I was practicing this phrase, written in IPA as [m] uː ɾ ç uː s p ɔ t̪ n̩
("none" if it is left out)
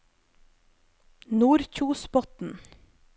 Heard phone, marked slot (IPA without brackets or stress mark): n